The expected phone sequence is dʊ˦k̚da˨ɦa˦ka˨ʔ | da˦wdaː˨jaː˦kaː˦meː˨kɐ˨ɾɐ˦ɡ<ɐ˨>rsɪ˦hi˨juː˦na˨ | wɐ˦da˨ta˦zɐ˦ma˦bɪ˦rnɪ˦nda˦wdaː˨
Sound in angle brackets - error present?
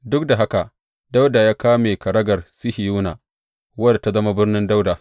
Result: no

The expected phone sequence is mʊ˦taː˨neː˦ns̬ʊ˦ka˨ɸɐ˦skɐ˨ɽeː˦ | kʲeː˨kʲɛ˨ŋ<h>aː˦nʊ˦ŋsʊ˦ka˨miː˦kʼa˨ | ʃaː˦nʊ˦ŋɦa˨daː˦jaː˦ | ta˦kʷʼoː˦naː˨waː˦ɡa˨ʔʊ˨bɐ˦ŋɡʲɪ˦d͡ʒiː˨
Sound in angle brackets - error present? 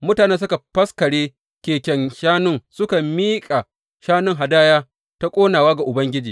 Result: yes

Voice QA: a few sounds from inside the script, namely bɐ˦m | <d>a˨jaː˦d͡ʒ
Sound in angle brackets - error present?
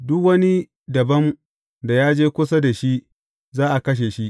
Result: no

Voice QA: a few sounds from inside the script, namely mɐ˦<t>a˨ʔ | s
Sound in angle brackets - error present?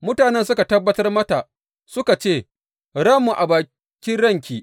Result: no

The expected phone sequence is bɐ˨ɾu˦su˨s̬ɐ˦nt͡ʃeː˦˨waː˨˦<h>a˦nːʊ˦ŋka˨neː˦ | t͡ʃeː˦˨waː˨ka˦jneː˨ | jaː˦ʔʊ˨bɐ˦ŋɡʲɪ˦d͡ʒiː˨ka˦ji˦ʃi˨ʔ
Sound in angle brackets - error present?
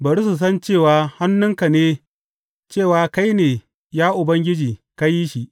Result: no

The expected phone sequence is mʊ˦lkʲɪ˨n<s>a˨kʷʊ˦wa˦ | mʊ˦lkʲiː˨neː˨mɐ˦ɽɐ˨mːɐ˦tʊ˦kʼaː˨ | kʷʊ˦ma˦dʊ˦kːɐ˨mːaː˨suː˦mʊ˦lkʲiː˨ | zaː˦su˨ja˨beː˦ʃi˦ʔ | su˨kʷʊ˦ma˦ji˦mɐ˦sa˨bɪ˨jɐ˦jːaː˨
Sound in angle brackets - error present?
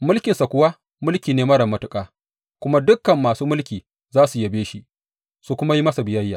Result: no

